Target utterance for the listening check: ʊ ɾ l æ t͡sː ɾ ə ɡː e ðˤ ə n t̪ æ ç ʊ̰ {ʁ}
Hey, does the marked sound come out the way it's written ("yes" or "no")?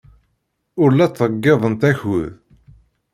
no